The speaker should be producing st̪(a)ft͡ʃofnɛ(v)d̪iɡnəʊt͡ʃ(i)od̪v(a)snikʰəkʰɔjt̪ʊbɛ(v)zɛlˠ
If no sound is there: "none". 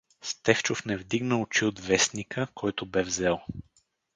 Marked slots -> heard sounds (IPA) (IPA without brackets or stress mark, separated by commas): ɛ, v, i, ɛ, v